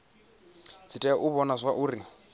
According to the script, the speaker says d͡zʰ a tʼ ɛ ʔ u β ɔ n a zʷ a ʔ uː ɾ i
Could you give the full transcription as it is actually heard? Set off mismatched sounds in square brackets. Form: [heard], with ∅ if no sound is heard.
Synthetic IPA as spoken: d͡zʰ [i] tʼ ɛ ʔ u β ɔ n a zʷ a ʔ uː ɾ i